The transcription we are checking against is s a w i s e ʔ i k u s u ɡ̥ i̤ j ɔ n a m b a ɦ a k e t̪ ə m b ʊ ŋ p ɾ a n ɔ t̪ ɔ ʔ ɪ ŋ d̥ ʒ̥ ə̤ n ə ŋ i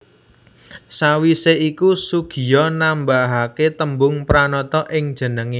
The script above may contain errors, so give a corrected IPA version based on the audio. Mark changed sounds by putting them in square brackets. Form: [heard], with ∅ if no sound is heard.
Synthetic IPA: s a w i s e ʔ i k u s u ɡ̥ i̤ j ɔ n a m b a ɦ a k e t̪ ə m b ʊ ŋ p ɾ a n ɔ t̪ ɔ ʔ ɪ ŋ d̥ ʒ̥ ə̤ n ə ŋ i